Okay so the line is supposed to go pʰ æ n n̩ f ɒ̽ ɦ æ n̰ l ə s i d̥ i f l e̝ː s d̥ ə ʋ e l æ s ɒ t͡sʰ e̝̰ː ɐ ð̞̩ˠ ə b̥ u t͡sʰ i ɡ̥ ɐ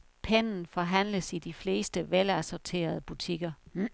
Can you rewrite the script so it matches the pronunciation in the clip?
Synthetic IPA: pʰ e n n̩ f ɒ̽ ɦ æ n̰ l ə s i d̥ i f l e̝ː s d̥ ə ʋ e l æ s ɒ t͡sʰ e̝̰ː ɐ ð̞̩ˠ ə b̥ u t͡sʰ i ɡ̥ ɐ